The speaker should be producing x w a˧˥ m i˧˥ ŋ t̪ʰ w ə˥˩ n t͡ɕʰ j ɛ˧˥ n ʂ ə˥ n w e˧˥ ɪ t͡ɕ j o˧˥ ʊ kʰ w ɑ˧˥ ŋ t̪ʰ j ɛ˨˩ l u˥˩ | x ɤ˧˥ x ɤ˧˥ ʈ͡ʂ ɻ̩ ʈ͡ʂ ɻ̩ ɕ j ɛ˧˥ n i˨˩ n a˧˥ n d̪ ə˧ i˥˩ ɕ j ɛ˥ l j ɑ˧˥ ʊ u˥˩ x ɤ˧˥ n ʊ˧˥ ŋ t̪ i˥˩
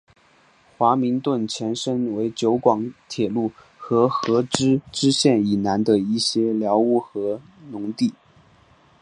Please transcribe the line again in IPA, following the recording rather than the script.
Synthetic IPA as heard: x w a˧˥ m i˧˥ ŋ t̪ w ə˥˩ n t͡ɕʰ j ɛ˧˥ n ʂ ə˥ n w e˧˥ ɪ t͡ɕ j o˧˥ ʊ k w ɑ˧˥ ŋ t̪ʰ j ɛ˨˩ l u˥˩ | x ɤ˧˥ x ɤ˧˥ ʈ͡ʂ ɻ̩ ʈ͡ʂ ɻ̩ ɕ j ɛ˥˩ n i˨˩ n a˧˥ n d̪ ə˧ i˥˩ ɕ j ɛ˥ l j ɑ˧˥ ʊ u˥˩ x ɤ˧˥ n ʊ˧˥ ŋ t̪ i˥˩

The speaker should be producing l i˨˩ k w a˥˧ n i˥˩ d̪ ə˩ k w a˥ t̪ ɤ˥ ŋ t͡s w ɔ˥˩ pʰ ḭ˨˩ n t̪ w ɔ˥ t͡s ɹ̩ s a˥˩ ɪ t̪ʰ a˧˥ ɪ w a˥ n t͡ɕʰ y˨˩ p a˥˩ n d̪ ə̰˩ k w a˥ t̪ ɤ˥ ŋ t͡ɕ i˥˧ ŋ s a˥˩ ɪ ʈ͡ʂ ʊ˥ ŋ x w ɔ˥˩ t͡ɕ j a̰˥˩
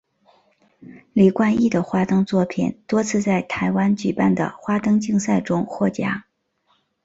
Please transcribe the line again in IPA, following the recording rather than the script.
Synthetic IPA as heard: l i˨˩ k w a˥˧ n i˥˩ d̪ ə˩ x w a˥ t̪ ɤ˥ ŋ t͡s w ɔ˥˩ pʰ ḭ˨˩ n t̪ w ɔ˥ t͡sʰ ɹ̩ t͡s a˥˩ ɪ t̪ʰ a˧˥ ɪ w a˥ n t͡ɕ y˨˩ p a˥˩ n d̪ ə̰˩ x w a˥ t̪ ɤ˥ ŋ t͡ɕ i˥˧ ŋ s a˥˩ ɪ ʈ͡ʂ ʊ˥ ŋ x w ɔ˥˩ t͡ɕ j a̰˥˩

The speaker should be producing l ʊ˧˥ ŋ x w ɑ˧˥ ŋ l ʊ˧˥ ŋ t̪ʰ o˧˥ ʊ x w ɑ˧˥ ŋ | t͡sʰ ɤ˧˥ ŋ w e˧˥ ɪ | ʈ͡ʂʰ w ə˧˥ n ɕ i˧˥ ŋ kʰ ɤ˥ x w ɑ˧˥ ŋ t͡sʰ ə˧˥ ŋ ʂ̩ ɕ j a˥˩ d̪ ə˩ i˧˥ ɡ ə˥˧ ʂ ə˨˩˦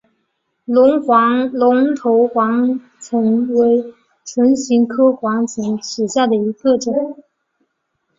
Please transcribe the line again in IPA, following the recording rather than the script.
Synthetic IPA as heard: l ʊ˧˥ ŋ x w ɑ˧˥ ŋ l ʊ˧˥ ŋ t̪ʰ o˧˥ ʊ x w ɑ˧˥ ŋ | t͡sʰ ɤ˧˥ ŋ w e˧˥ ɪ | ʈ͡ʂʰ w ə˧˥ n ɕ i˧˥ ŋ kʰ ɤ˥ x w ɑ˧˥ ŋ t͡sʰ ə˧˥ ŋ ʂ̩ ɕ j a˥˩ d̪ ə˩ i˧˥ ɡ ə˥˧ ʈ͡ʂ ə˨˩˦

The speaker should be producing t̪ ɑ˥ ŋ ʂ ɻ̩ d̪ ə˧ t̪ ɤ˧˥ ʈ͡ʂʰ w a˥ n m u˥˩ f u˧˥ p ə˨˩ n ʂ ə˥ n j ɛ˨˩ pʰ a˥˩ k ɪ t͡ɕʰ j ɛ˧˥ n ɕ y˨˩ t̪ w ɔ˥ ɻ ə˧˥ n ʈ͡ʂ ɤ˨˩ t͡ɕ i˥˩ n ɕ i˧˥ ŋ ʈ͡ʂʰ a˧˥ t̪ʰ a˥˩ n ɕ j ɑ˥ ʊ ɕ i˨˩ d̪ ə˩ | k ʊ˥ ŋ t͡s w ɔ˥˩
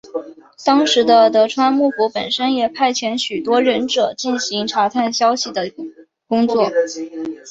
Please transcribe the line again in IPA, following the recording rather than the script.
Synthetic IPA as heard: t̪ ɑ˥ ŋ ʂ ɻ̩ d̪ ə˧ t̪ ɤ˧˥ ʈ͡ʂʰ w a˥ n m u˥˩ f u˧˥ p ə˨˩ n ʂ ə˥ n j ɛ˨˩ pʰ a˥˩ ɪ t͡ɕʰ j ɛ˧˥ n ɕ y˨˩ t̪ w ɔ˥ ɻ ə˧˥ n ʈ͡ʂ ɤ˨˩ t͡ɕ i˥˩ n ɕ i˧˥ ŋ ʈ͡ʂʰ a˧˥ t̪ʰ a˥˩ n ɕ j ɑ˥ ʊ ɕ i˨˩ d̪ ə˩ | k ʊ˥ ŋ t͡s w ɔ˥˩

